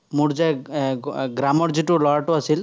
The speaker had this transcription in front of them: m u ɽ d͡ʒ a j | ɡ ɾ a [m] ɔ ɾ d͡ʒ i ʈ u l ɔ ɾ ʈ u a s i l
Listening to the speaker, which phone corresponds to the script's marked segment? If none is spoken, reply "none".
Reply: m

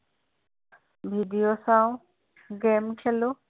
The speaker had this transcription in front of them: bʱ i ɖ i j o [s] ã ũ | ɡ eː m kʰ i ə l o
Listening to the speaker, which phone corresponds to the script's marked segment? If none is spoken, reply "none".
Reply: s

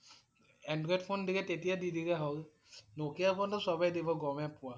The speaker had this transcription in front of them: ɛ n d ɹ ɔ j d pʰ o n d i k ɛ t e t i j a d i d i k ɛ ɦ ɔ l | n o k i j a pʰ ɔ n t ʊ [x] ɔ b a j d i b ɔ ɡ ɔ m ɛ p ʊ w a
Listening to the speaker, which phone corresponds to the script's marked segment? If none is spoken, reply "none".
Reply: s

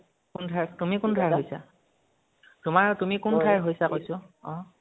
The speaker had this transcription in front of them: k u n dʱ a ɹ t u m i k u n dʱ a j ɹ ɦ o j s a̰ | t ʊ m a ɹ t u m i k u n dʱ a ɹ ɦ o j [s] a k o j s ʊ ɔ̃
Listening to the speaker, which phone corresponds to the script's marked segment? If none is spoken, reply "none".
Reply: s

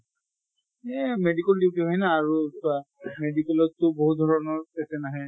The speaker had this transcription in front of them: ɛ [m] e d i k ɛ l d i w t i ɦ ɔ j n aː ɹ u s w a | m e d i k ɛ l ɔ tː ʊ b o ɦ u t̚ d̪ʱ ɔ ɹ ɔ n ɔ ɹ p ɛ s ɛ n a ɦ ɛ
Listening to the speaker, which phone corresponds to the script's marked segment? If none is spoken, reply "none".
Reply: m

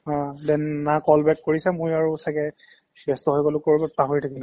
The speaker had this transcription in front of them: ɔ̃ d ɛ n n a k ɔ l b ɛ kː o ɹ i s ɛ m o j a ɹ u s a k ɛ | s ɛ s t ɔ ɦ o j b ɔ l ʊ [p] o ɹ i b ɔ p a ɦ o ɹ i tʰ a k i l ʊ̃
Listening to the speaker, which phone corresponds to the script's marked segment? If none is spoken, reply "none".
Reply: k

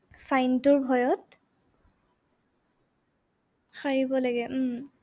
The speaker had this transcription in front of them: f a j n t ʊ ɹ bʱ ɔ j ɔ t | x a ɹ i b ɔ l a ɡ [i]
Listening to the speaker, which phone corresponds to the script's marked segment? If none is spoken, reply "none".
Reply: ɛ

